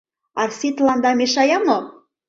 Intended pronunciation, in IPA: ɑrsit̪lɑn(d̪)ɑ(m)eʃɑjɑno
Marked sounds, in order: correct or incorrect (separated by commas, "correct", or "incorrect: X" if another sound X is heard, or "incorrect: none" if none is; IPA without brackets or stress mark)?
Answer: correct, correct